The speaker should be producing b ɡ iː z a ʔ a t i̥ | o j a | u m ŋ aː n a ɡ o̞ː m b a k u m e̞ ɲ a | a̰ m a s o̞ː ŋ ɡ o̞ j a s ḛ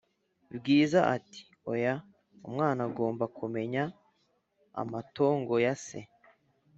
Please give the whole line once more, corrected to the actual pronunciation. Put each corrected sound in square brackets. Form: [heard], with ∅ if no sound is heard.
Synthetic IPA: b ɡ iː z a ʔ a t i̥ | o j a | u m ŋ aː n a ɡ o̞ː m b a k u m e̞ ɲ a | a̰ m a [t] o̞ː ŋ ɡ o̞ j a s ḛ

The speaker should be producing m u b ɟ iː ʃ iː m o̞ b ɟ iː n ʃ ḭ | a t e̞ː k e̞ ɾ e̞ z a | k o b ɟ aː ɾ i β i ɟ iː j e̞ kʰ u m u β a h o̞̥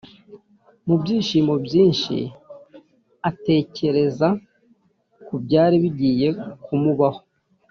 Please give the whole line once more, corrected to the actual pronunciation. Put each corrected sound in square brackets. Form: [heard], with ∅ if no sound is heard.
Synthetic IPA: m u b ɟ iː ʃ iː m o̞ b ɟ iː n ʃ ḭ | a t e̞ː [c] e̞ ɾ e̞ z a | k [u] b ɟ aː ɾ i β i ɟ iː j e̞ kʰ u m u β a h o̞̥

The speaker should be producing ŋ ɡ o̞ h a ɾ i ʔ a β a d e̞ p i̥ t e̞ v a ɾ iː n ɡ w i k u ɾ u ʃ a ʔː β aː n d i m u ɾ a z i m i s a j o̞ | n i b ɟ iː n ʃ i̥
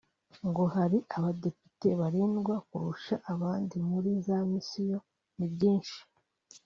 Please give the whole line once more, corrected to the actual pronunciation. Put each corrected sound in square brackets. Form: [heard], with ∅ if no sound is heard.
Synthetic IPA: ŋ ɡ o̞ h a ɾ i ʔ a β a d e̞ p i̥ t e̞ [β] a ɾ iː n ɡ w [a] k u ɾ u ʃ a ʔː β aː n d i m u ɾ [i] z [a] m i s [i] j o̞ | n i b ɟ iː n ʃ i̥

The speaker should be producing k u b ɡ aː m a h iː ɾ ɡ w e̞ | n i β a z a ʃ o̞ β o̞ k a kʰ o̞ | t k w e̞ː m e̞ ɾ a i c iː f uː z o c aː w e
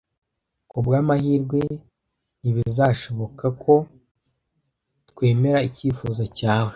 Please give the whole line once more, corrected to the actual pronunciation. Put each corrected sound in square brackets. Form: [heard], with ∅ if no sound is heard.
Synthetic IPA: k u b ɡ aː m a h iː ɾ ɡ w e̞ | n i β [i] z a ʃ o̞ β o̞ k a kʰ o̞ | t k w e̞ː m e̞ ɾ a i c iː f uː z o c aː w e

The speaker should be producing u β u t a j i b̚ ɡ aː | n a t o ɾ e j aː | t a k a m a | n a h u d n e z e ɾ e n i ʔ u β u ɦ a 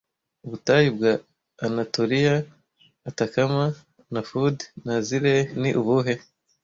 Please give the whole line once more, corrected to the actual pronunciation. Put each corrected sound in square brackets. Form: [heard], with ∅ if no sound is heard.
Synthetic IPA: u β u t a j i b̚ ɡ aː | n a t o ɾ [i] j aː | t a k a m a | n a [f] u d n [a] z [i] ɾ e n i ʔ u β u ɦ [e]

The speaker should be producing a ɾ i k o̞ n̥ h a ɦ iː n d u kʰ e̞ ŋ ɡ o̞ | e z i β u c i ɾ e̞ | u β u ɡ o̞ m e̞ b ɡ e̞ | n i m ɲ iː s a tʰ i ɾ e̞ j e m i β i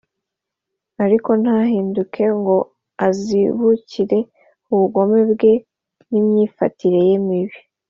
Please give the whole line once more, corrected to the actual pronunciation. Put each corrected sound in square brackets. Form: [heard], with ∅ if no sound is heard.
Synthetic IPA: a ɾ i k o̞ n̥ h a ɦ iː n d u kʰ e̞ ŋ ɡ o̞ | [a] z i β u c i ɾ e̞ | u β u ɡ o̞ m e̞ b ɡ e̞ | n i m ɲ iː [f] a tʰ i ɾ e̞ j e m i β i

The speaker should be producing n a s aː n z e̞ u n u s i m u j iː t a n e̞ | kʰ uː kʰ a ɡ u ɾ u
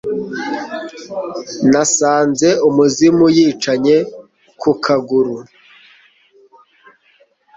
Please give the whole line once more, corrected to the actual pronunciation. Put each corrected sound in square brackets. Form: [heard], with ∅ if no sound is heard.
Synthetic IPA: n a s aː n z e̞ u [m] u [z] i m u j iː [t͡ʃ] a [ɲ] e̞ | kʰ [u] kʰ a ɡ u ɾ u

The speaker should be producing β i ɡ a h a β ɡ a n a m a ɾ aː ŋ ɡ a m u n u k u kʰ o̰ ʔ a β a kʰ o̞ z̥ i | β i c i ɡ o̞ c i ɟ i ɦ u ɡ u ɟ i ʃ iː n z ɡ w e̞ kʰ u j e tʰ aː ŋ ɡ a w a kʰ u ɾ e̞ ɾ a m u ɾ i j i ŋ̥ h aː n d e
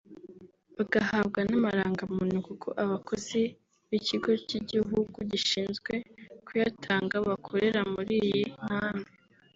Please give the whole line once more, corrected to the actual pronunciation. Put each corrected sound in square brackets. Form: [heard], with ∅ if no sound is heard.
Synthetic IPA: β [a] ɡ a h a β ɡ a n a m a ɾ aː ŋ ɡ a m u n u k u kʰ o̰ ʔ a β a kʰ o̞ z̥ i | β i c i ɡ o̞ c i ɟ i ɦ u ɡ u ɟ i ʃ iː n z ɡ w e̞ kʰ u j [a] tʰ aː ŋ ɡ a [β] a kʰ [o] ɾ e̞ ɾ a m u ɾ i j i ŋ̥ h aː n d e

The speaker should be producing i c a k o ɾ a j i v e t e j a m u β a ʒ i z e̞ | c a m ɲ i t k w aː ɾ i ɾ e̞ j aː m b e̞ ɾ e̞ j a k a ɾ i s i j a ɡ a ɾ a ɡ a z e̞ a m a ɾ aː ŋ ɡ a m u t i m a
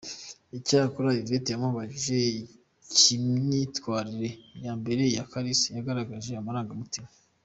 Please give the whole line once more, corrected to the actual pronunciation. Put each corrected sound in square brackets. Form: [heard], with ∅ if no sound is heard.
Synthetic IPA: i c a k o ɾ a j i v e t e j a m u β a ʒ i [ʒ] e̞ | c [i] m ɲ i t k w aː ɾ i ɾ e̞ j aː m b e̞ ɾ e̞ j a k a ɾ i s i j a ɡ a ɾ a ɡ a [ʒ] e̞ a m a ɾ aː ŋ ɡ a m u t i m a

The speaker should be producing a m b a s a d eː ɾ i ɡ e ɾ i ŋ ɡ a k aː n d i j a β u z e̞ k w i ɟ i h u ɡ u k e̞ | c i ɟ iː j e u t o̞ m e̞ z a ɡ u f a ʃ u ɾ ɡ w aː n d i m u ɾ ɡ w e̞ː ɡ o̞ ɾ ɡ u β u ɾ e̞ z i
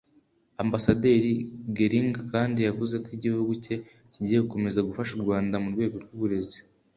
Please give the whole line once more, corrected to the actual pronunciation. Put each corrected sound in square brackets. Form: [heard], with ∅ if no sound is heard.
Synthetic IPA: a m b a s a d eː ɾ i ɡ e ɾ i ŋ ɡ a k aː n d i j a [v] u z e̞ k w i ɟ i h u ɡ u [c] e̞ | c i ɟ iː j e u [k] o̞ m e̞ z a ɡ u f a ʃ u ɾ ɡ w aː n d [a] m u ɾ ɡ w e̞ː ɡ o̞ ɾ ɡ u β u ɾ e̞ z i

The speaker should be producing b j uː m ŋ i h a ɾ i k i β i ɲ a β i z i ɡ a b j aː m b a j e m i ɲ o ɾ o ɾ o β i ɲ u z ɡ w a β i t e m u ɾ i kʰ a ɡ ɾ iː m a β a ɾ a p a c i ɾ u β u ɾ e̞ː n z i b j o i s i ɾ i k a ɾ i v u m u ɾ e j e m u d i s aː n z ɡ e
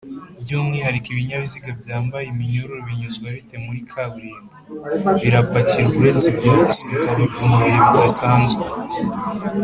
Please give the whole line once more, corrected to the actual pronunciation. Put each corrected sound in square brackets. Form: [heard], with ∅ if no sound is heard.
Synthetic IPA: b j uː m ŋ i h a ɾ i k i β i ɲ a β i z i ɡ a b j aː m b a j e m i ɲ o ɾ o ɾ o β i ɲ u z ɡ w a β i t e m u ɾ i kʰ a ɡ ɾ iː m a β [i] ɾ a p a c i ɾ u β u ɾ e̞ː n z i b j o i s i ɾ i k a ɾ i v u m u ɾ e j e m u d [a] s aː n z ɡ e

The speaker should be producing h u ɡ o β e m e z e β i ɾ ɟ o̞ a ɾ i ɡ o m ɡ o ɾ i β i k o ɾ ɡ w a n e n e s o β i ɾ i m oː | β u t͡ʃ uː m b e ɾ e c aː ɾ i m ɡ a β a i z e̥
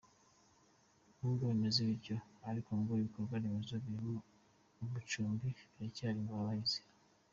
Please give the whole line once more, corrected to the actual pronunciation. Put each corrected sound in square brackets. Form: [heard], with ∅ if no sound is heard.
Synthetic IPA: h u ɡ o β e m e z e β i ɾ ɟ o̞ a ɾ i [k] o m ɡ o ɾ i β i k o ɾ ɡ w a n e [m] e [z] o β i ɾ i m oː | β u t͡ʃ uː m b [i] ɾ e c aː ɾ i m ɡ a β a i z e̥

